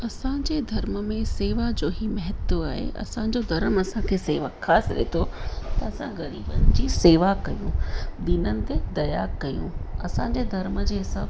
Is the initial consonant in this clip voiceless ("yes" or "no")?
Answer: yes